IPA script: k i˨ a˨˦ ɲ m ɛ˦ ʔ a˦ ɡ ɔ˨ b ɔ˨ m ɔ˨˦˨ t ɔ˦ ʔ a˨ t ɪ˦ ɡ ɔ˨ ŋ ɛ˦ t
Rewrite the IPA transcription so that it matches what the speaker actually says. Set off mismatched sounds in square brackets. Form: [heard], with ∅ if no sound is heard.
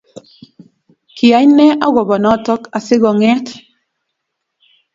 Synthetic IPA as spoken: k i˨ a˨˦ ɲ [n] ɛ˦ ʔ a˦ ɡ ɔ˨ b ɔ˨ [n] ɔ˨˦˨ t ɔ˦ [k] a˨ [s] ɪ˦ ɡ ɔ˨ ŋ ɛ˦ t